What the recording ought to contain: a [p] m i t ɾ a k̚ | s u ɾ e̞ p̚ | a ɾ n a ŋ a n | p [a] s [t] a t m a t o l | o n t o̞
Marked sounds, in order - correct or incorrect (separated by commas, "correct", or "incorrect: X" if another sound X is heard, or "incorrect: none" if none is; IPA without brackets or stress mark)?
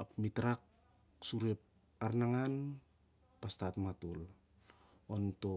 correct, correct, correct